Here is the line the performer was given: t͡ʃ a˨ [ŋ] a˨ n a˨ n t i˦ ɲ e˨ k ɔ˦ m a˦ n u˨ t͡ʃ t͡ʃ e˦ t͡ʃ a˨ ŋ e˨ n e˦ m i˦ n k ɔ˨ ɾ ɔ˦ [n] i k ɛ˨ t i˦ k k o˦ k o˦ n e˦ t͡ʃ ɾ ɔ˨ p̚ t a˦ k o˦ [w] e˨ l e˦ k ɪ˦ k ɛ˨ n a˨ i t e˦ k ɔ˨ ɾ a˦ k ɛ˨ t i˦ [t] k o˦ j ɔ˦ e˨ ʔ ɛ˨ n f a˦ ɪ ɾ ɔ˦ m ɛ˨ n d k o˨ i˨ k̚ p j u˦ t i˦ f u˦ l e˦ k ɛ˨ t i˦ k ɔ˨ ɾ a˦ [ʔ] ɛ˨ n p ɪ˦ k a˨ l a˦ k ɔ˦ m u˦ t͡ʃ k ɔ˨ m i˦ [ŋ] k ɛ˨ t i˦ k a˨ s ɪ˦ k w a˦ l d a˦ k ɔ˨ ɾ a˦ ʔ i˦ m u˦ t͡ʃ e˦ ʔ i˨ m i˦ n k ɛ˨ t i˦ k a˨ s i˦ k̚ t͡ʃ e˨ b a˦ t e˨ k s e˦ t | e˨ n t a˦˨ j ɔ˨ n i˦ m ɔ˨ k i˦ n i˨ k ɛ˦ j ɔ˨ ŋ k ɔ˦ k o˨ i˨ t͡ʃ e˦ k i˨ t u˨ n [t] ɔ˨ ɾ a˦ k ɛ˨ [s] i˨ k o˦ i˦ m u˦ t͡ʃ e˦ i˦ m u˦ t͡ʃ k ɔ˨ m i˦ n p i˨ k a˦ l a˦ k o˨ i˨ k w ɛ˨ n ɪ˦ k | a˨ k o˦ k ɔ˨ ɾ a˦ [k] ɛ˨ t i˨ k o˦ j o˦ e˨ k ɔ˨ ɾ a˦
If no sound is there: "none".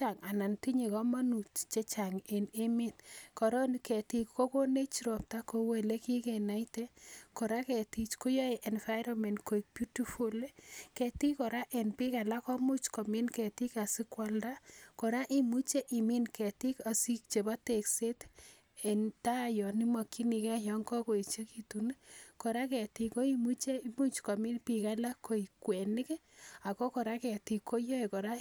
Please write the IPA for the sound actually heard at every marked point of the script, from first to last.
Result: ŋ, n, w, t͡ʃ, ʔ, n, k, t, k

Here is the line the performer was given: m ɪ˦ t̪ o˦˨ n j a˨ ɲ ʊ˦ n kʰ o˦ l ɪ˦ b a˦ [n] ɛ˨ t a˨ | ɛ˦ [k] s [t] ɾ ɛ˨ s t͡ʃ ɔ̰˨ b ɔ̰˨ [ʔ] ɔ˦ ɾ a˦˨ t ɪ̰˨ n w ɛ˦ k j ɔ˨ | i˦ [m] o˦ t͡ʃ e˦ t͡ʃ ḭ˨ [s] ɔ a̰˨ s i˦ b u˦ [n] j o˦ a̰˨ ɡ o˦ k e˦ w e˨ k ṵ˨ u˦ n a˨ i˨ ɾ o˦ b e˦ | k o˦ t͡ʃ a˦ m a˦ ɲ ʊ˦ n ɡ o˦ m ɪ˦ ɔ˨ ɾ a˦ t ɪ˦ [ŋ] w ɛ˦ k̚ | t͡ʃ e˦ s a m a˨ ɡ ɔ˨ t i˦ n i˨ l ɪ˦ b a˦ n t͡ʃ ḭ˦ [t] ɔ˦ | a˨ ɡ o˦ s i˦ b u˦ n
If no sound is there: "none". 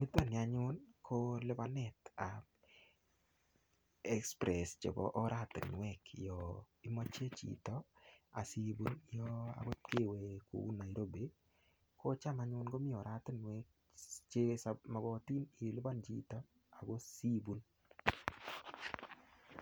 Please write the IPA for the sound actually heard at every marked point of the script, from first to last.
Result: n, k, p, ʔ, m, t, n, n, t

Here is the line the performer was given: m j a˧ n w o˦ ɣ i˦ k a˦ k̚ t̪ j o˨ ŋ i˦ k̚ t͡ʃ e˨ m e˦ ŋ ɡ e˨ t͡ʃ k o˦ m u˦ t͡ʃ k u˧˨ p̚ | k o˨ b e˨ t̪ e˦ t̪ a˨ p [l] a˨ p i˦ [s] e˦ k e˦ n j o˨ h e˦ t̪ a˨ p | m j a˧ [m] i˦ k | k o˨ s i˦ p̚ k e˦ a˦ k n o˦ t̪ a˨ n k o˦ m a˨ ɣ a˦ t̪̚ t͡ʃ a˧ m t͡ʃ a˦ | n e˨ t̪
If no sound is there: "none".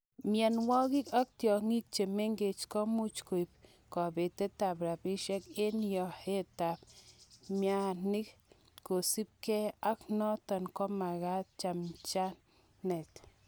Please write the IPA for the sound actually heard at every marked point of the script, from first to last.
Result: ɾ, ʃ, n

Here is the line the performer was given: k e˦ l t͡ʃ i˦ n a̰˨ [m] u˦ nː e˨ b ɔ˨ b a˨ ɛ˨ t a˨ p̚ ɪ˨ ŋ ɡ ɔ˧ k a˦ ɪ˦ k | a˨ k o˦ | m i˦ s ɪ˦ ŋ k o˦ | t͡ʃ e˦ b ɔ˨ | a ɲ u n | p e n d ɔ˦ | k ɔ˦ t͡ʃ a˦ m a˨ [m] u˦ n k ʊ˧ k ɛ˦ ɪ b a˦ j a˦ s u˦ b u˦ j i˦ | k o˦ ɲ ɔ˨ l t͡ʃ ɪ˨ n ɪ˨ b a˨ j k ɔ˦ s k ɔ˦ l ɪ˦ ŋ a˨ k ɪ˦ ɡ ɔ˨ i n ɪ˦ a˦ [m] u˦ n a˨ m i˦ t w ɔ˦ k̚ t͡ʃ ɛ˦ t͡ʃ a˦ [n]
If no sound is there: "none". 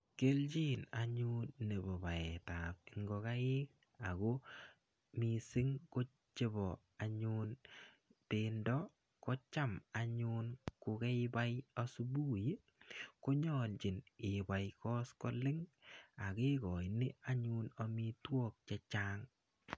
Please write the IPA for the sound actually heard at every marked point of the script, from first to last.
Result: ɲ, ɲ, ɲ, ŋ

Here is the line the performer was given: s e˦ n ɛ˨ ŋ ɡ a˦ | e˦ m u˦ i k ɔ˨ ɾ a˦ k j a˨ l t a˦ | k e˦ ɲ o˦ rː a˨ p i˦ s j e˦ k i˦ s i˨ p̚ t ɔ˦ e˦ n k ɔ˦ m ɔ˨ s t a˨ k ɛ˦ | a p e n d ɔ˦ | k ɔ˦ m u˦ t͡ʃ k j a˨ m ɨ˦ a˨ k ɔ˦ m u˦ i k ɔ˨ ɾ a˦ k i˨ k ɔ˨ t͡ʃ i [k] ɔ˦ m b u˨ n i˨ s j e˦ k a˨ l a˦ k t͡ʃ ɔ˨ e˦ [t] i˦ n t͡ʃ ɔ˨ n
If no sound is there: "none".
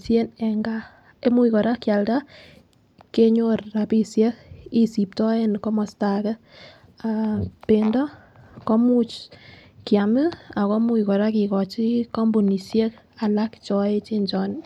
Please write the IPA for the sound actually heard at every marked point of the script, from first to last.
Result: k, t͡ʃ

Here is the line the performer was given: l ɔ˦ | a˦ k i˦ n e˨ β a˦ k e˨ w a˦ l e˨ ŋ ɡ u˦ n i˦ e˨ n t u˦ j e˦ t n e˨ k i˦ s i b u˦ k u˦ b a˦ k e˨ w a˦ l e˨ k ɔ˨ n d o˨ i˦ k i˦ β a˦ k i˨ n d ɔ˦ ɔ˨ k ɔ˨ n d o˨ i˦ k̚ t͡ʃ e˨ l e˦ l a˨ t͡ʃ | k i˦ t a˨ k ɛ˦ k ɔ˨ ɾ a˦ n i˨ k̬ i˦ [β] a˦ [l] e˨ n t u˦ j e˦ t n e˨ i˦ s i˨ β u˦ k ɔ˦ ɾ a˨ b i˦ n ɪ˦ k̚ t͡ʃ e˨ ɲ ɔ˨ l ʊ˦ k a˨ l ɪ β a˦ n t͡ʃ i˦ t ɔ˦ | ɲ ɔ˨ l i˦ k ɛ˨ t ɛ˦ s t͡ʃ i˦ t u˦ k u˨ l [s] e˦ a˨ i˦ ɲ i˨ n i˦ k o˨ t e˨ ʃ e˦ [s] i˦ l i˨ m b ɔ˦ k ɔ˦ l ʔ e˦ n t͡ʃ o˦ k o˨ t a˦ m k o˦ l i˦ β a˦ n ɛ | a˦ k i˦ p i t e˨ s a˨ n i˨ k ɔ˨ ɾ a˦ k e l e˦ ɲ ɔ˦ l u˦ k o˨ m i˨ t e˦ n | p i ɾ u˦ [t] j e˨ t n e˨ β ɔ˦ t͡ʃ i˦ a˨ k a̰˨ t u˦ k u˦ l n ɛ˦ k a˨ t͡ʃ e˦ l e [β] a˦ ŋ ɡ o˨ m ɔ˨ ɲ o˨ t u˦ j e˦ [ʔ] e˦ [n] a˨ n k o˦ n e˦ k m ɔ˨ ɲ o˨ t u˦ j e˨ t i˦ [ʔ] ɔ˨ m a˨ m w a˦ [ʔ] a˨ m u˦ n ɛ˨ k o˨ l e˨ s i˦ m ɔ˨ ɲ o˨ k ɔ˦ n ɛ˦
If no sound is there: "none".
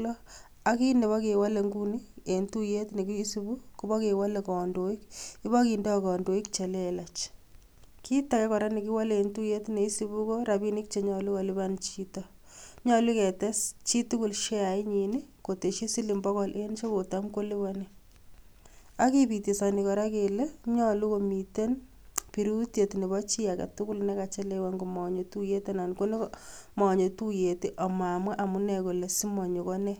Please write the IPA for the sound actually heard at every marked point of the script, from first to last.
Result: w, l, ʃ, s, t, w, t, n, ʔ, ʔ

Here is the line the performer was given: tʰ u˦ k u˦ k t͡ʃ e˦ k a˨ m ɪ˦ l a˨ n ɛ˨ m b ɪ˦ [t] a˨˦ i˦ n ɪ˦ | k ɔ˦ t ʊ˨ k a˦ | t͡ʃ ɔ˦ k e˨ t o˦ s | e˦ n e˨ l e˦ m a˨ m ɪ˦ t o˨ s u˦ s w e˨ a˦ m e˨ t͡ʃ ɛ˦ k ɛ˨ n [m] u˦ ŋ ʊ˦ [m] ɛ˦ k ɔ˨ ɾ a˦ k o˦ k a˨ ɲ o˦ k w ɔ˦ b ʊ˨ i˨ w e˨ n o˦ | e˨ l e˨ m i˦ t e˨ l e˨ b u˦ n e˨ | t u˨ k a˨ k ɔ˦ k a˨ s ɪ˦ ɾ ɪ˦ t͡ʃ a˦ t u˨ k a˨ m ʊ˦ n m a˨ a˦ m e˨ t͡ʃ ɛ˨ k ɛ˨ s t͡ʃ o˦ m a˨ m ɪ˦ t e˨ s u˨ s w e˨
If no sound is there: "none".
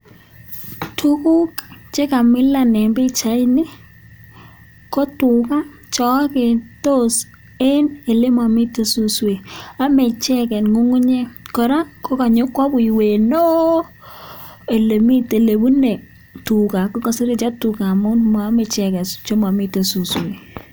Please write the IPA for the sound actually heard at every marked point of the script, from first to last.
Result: t͡ʃ, ŋ, ɲ

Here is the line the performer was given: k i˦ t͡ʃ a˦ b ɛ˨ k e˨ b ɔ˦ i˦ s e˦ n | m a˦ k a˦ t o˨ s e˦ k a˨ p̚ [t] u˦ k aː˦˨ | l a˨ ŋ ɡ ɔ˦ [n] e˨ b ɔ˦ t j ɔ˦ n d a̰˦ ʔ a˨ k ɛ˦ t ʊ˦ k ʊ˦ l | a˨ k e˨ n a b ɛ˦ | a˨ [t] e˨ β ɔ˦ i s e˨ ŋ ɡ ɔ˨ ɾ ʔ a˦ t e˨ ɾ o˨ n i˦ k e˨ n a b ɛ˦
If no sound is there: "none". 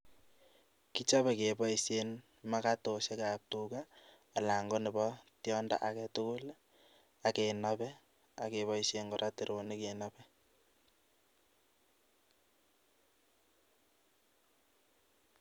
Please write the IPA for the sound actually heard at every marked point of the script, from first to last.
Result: t, n, k

